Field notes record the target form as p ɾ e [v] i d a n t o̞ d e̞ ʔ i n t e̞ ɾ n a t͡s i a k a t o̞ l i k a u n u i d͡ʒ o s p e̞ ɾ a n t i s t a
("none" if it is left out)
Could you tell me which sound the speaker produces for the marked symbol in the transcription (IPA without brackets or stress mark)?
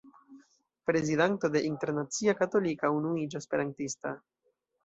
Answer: z